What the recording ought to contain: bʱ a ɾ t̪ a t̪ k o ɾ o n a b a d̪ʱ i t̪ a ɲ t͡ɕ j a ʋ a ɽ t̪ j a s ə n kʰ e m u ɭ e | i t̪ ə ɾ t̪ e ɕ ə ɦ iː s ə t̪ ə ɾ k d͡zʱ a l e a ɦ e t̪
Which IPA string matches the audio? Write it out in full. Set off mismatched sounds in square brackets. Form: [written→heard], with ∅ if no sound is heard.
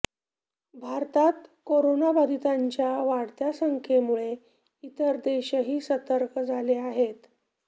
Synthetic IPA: bʱ a ɾ t̪ a t̪ k o ɾ o n a b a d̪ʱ i t̪ a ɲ t͡ɕ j a ʋ a ɽ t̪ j a s ə [n→ŋ] kʰ e m u ɭ e | i t̪ ə ɾ [t̪→d̪] e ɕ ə ɦ iː s ə t̪ ə ɾ k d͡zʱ a l e a ɦ e t̪